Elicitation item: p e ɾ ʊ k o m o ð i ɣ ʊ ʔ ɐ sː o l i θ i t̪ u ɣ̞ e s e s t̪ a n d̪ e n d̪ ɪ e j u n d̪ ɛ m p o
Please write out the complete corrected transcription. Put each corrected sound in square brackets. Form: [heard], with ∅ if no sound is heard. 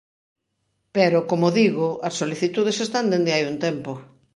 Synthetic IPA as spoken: p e ɾ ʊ k o m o ð i ɣ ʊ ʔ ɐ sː o l i θ i t̪ u [ð̞] e s e s t̪ a n d̪ e n d̪ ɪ [a] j u n [t̪] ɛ m p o